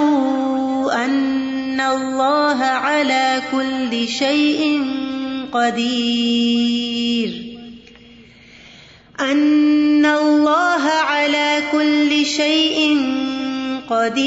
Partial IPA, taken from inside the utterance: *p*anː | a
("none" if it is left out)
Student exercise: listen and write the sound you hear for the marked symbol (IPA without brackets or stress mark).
ʔ